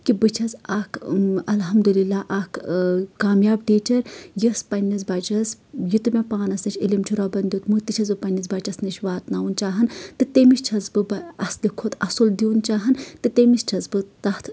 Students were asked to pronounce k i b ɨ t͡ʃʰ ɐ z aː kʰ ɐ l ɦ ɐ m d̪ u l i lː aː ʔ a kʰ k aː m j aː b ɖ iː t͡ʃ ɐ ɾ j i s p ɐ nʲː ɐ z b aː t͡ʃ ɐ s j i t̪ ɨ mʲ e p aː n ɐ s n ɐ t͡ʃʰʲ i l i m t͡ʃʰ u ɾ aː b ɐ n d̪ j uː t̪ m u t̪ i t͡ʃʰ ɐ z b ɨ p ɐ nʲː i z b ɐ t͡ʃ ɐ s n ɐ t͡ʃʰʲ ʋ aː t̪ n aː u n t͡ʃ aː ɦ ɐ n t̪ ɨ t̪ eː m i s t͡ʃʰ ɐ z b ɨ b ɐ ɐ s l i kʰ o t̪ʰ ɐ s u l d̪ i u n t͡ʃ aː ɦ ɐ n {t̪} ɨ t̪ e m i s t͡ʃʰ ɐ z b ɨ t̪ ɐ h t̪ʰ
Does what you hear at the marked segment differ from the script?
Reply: no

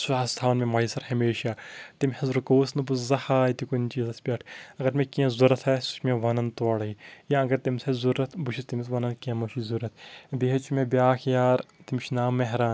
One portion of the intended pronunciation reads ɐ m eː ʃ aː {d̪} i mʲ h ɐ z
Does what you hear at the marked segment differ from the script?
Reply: yes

